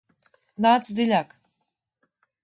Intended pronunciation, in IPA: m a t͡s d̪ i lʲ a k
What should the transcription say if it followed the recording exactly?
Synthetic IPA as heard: n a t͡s d̪ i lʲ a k